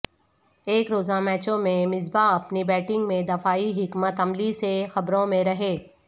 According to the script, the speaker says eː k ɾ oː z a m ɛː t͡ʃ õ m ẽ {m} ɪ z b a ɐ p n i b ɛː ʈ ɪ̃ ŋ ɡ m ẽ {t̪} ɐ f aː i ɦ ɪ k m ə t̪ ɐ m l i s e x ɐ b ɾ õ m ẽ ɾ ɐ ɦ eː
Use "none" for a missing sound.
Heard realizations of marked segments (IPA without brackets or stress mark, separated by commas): m, d̪